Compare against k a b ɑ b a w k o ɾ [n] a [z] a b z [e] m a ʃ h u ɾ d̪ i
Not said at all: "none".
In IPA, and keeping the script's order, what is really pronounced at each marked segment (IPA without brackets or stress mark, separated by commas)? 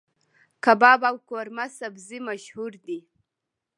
m, s, i